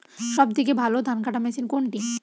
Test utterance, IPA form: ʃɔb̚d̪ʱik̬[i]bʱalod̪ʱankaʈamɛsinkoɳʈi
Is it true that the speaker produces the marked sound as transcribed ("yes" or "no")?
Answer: no